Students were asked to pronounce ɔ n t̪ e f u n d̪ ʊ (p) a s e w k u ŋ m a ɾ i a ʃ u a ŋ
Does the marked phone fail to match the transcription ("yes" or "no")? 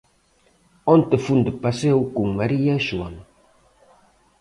no